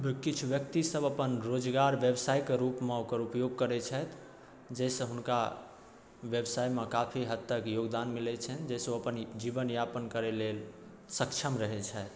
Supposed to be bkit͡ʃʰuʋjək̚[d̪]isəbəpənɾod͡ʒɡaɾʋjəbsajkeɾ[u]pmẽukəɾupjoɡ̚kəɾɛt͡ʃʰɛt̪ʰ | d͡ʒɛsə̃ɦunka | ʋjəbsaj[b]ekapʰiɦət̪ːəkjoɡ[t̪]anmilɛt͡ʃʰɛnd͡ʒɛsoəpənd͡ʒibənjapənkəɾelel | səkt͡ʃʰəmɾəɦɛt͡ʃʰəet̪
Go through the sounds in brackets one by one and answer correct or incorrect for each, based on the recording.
incorrect: t̪, correct, incorrect: m, incorrect: d̪

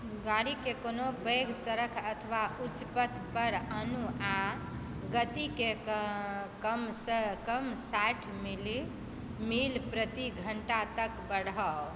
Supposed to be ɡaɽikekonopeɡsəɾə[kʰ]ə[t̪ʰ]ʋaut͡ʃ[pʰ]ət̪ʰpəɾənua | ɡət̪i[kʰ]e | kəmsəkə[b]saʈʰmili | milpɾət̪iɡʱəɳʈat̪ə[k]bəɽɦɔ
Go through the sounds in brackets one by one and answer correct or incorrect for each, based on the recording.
correct, correct, incorrect: p, incorrect: k, incorrect: m, correct

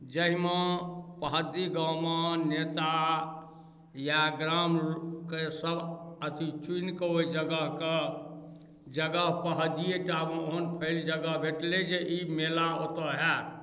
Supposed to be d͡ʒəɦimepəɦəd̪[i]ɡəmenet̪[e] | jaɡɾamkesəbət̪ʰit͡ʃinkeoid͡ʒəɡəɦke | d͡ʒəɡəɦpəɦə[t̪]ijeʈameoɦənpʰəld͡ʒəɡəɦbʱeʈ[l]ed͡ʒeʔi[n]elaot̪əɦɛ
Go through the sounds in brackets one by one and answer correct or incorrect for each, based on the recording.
correct, incorrect: a, incorrect: d̪, correct, incorrect: m

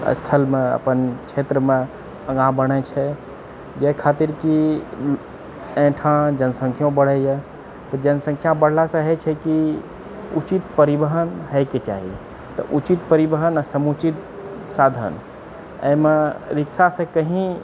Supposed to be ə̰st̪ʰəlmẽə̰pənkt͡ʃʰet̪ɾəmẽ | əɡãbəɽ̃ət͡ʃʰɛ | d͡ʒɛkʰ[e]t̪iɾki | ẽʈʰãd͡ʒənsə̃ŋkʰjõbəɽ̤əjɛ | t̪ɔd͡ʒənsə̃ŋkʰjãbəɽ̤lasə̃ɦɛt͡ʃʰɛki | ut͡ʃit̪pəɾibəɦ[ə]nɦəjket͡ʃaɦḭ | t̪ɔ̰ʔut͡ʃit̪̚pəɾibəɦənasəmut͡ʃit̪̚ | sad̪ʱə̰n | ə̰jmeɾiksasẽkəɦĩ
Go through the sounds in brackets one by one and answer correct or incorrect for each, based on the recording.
incorrect: a, correct

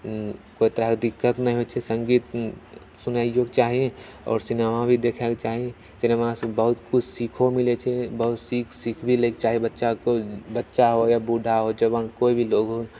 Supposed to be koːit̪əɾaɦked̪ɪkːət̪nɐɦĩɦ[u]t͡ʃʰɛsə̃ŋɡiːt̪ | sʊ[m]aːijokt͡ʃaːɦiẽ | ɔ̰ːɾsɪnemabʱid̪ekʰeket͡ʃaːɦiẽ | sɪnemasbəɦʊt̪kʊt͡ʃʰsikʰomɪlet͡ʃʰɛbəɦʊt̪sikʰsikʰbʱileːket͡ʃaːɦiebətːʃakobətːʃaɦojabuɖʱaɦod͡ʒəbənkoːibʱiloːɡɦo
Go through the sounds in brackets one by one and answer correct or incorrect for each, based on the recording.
incorrect: o, incorrect: n

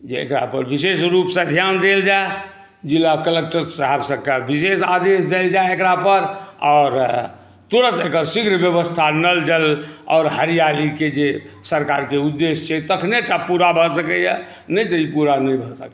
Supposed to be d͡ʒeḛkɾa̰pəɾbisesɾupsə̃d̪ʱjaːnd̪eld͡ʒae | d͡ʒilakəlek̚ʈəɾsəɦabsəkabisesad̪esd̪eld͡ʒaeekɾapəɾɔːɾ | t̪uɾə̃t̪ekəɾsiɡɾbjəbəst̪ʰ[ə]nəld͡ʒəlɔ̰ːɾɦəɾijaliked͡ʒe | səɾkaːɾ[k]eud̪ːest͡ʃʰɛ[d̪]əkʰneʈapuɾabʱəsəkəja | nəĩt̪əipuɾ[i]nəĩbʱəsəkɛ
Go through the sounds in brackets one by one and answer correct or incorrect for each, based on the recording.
incorrect: a, correct, incorrect: t̪, incorrect: a

